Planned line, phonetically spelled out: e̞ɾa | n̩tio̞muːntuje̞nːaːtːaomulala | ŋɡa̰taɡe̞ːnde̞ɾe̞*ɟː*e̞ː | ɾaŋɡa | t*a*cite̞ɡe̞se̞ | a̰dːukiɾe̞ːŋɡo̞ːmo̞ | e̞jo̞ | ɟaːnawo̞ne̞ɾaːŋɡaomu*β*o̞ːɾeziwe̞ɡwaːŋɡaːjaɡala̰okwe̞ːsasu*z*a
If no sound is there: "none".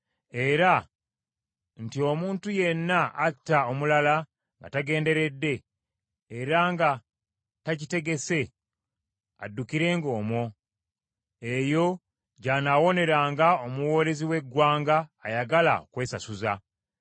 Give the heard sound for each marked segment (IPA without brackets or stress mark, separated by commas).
dː, a, w, z